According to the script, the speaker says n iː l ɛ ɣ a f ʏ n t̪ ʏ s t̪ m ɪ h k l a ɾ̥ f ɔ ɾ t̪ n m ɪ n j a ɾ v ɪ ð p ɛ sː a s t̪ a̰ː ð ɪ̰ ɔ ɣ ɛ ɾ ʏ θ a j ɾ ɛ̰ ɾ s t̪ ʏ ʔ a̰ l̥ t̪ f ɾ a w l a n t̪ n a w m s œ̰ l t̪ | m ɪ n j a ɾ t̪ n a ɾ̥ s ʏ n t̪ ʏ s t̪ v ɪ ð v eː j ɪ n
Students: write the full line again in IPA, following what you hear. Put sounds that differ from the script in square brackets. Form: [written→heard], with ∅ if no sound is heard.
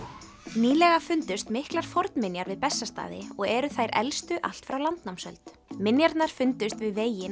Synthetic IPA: n iː l ɛ ɣ a f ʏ n t̪ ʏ s t̪ m ɪ h k l a ɾ̥ f ɔ ɾ t̪ n m ɪ n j a ɾ v ɪ ð p ɛ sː a s t̪ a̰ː ð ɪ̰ ɔ ɣ ɛ ɾ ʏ θ a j ɾ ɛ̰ [ɾ→l] s t̪ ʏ ʔ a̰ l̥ t̪ f ɾ a w l a n t̪ n a w m s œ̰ l t̪ | m ɪ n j a ɾ t̪ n a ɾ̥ [s→f] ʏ n t̪ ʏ s t̪ v ɪ ð v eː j ɪ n